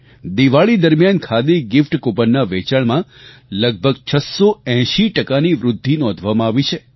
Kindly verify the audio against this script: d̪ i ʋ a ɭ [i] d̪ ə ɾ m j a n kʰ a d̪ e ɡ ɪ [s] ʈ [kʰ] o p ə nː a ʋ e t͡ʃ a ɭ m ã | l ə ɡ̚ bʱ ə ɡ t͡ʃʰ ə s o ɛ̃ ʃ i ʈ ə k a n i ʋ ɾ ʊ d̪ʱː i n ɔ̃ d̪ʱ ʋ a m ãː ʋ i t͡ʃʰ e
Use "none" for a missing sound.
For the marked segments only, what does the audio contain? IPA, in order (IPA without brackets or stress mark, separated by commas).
i, f, k